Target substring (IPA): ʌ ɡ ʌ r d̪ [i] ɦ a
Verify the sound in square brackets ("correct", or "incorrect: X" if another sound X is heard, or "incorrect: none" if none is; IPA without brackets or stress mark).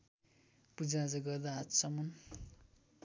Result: incorrect: a